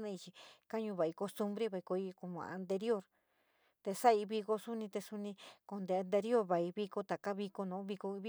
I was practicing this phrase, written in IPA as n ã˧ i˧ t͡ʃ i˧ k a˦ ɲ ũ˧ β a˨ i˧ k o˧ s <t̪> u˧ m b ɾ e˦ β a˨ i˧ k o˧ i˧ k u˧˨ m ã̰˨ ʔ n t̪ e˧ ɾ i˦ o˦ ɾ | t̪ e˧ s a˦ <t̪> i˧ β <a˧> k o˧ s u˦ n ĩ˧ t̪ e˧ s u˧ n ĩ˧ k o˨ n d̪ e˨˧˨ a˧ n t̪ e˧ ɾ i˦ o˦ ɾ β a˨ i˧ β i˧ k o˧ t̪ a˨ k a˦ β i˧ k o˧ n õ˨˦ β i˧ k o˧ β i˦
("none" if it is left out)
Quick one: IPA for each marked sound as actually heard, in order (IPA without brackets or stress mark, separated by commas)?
t̪, none, i˧